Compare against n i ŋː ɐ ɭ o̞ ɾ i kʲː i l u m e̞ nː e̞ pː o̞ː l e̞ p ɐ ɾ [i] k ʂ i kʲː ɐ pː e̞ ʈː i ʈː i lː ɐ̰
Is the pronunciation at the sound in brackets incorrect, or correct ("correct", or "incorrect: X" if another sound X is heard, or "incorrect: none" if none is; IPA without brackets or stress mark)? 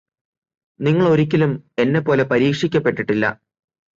incorrect: iː